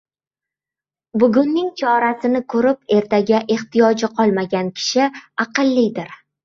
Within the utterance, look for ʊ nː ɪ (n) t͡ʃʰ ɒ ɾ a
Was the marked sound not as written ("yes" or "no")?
yes